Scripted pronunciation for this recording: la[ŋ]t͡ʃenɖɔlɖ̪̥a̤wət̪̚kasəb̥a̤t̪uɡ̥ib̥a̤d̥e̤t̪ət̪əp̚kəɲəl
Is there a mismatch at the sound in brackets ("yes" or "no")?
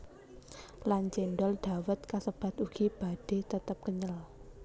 yes